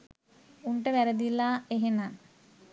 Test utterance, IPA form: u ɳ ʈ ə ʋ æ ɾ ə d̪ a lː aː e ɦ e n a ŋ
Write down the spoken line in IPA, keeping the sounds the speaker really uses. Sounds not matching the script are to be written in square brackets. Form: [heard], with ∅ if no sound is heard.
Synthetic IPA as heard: u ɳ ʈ ə ʋ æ ɾ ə d̪ [i] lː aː e ɦ e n a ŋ